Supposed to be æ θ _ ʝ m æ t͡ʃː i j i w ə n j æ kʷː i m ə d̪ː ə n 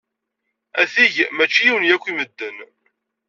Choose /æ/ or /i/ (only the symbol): i